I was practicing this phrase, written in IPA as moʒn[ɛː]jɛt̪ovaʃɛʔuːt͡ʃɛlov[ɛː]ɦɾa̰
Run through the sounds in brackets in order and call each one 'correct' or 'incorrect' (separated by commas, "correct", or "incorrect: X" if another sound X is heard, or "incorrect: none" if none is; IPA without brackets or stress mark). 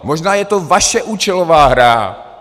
incorrect: aː, incorrect: aː